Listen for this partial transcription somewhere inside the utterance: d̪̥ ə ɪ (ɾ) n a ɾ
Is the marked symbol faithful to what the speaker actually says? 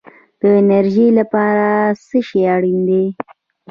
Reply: no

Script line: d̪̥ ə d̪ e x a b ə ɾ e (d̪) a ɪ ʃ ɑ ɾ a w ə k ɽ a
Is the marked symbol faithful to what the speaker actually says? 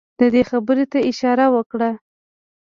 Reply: no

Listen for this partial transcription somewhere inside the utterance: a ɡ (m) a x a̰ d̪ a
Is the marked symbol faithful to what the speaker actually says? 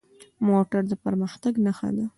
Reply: no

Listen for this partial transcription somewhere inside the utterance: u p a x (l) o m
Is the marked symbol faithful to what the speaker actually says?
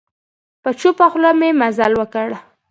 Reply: yes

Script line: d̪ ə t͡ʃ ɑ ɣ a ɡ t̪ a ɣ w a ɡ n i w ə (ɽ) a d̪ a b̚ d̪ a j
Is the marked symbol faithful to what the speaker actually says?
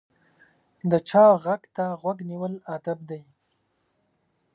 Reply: no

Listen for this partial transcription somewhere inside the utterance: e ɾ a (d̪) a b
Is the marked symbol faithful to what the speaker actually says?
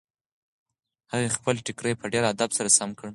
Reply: yes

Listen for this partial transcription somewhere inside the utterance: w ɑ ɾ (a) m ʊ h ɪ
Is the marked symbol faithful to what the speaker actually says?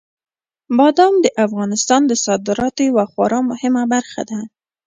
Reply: no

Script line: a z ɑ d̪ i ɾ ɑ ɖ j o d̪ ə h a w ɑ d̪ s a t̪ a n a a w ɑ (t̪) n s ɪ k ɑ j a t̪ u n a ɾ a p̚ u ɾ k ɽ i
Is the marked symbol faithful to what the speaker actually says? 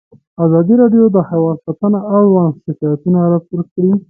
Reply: no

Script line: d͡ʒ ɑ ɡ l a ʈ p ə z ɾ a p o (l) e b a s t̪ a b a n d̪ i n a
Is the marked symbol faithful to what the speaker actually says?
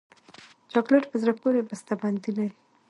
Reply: no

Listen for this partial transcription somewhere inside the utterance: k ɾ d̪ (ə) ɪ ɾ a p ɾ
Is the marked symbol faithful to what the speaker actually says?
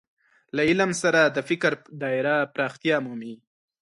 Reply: no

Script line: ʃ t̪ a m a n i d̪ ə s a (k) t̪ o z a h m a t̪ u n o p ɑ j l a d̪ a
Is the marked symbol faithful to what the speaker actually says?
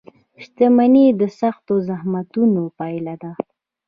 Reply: no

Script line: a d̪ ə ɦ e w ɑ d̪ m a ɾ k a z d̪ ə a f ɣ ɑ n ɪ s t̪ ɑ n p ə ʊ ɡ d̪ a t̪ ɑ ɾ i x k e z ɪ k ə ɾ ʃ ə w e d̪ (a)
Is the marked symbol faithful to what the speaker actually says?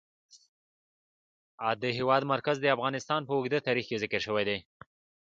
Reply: no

